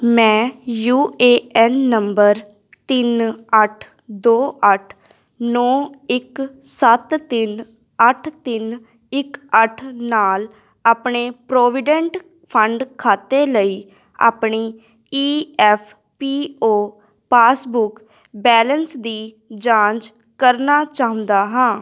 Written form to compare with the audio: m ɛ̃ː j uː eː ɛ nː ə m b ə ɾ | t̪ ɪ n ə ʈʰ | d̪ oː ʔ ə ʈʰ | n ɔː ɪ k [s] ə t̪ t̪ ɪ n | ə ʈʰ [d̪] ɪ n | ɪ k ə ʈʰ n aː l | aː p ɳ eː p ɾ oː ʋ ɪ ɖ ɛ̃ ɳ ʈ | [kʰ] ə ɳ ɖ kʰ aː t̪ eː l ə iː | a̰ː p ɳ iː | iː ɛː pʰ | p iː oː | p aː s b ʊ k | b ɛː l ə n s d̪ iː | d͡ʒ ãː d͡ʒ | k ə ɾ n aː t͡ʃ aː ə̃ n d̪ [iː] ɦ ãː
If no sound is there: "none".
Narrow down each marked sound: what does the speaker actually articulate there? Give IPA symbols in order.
s, t̪, pʰ, aː

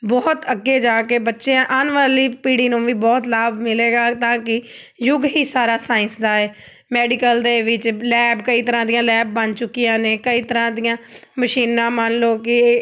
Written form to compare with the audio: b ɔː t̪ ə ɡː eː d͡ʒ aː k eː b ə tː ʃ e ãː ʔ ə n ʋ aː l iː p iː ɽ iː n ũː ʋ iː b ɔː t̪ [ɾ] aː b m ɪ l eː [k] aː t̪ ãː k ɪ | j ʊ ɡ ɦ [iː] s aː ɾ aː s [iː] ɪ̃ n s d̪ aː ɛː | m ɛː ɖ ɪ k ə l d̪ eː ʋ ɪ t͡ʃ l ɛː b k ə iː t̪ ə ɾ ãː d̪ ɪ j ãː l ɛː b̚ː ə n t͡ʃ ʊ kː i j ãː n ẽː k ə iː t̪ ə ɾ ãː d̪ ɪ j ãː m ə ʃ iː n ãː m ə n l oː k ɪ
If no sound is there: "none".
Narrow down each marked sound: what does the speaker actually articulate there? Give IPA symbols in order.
l, ɡ, iː, aː

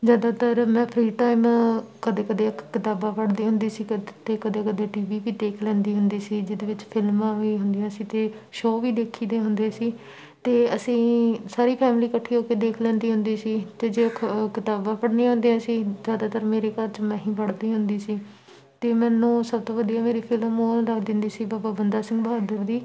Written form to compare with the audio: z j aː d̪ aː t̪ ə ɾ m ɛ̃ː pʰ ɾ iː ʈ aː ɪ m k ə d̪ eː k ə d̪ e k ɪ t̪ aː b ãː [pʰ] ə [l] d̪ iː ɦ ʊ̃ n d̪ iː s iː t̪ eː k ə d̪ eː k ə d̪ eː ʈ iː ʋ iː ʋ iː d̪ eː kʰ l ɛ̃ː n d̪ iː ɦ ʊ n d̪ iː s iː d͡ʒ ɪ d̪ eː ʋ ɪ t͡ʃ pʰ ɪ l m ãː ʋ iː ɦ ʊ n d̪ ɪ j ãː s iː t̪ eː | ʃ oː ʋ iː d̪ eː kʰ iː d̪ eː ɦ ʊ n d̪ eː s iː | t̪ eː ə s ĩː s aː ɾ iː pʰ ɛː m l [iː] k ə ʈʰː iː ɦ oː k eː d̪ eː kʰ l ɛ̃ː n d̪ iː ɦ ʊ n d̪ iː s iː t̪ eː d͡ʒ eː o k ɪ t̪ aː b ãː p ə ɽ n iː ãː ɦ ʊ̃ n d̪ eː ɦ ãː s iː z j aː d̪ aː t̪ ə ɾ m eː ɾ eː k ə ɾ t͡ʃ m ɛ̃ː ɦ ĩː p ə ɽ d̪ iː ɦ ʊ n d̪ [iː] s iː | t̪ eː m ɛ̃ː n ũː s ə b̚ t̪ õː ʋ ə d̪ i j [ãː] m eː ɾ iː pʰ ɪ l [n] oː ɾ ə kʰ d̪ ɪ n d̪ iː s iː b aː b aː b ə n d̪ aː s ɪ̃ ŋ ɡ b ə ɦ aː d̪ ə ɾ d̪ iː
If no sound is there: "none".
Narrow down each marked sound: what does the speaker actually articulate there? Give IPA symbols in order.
p, ɽ, iː, iː, aː, m

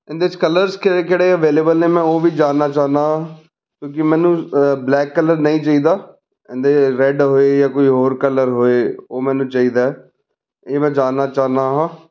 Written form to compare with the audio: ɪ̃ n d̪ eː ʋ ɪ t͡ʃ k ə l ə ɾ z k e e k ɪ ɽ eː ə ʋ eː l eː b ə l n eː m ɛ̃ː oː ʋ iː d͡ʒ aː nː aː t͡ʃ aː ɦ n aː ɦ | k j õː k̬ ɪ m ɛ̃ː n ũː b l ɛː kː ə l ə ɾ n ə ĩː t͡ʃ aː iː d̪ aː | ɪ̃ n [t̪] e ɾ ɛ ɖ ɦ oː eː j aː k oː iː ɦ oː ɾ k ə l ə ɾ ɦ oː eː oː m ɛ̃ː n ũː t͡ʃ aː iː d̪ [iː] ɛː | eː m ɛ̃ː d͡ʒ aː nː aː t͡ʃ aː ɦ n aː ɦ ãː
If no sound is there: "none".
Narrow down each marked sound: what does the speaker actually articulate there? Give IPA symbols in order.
d̪, aː

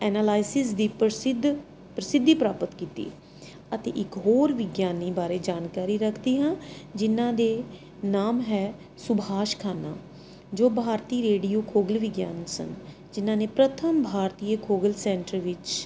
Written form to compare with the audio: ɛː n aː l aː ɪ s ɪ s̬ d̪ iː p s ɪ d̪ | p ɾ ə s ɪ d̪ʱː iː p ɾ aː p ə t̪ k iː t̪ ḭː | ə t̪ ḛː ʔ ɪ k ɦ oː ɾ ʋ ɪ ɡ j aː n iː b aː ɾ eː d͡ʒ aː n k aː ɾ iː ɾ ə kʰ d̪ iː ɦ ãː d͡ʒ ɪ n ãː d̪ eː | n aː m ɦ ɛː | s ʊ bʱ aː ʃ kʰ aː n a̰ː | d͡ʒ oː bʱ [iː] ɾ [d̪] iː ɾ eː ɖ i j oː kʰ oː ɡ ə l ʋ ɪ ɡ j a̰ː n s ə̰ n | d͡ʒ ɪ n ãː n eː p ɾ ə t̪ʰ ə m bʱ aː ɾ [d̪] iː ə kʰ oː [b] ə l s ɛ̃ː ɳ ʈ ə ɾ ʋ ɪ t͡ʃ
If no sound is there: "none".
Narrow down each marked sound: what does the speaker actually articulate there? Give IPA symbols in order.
aː, t̪, t̪, ɡ

